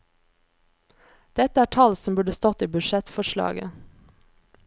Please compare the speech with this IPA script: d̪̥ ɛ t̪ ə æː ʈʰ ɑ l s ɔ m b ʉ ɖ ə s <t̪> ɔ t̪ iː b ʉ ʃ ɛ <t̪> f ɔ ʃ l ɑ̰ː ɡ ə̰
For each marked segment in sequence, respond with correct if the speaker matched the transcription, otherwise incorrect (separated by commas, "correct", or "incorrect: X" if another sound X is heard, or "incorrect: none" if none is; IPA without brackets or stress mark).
correct, correct